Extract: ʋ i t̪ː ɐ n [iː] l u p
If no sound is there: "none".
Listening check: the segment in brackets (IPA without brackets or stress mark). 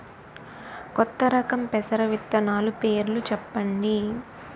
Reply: aː